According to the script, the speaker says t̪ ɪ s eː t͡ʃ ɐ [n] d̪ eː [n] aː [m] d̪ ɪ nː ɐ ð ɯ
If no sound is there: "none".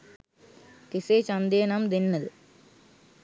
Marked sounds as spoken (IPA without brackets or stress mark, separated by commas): n, n, m